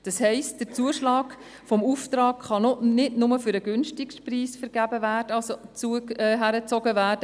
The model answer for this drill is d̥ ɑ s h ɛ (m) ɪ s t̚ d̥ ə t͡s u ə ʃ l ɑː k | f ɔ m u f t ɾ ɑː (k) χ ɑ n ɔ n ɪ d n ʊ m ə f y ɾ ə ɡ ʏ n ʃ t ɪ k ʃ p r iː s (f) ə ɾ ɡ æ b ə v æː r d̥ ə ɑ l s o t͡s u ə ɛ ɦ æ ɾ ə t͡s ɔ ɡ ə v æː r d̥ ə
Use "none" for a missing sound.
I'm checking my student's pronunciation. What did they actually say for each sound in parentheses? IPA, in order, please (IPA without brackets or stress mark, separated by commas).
none, k, f